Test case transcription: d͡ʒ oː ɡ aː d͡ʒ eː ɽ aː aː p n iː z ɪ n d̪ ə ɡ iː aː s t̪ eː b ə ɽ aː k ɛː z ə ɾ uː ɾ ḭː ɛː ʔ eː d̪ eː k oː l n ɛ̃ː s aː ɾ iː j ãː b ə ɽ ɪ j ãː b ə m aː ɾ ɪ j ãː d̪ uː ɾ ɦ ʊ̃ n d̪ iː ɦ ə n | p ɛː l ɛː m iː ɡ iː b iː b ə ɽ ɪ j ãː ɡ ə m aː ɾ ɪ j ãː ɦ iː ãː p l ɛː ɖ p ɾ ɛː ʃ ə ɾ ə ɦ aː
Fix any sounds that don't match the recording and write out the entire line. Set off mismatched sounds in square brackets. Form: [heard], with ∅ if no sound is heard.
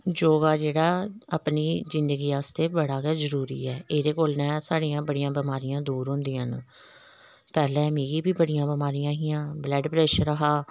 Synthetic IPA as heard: d͡ʒ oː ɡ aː d͡ʒ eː ɽ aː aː p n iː z ɪ n d̪ ə ɡ iː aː s t̪ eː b ə ɽ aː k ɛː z ə ɾ uː ɾ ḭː ɛː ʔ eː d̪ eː k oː l n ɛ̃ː s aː [ɽ] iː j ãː b ə ɽ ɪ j ãː b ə m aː ɾ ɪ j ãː d̪ uː ɾ ɦ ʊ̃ n d̪ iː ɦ ə n | p ɛː l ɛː m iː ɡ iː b iː b ə ɽ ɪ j ãː [b] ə m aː ɾ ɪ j ãː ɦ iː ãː [b] l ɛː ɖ p ɾ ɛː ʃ ə ɾ ə ɦ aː